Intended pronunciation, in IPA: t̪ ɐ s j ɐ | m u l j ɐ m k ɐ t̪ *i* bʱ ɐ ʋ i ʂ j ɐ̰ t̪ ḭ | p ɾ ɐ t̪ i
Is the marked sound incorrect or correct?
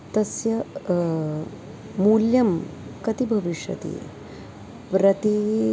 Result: correct